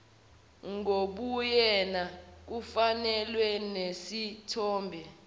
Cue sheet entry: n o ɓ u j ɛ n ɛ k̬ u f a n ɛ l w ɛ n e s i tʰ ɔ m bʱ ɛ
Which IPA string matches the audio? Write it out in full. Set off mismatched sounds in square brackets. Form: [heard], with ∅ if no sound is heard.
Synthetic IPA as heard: [ŋ] o ɓ u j ɛ n [a] k̬ u f a n ɛ l w ɛ n e s i tʰ [ɔː] m bʱ ɛ